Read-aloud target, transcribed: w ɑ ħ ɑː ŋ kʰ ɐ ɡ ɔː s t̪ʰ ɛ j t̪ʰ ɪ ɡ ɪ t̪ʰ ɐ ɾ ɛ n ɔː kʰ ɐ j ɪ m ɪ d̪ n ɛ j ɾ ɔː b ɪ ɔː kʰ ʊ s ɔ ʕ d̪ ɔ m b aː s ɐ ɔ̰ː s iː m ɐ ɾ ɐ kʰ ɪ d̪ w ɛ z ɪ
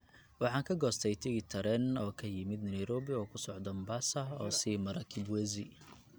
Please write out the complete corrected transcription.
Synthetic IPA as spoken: w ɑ ħ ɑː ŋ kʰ ɐ ɡ ɔː s t̪ʰ ɛ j t̪ʰ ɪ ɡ ɪ t̪ʰ ɐ ɾ ɛ n ɔː kʰ ɐ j ɪ m ɪ d̪ n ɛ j ɾ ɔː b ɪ ɔː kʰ ʊ s ɔ ʕ d̪ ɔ m b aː s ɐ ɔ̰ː s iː m ɐ ɾ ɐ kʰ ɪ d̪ w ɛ z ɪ